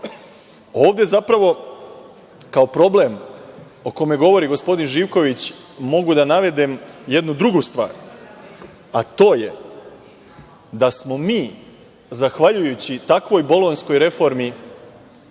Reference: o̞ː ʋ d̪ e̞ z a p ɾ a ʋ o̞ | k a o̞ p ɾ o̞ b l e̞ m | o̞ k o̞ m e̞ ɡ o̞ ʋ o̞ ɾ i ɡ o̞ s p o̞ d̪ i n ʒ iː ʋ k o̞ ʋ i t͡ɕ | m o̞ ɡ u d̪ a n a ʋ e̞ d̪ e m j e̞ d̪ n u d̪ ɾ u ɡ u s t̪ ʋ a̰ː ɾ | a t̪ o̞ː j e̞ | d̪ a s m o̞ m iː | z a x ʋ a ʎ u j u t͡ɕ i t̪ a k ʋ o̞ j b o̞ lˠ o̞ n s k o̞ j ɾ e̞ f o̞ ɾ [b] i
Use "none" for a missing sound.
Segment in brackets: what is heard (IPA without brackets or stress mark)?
m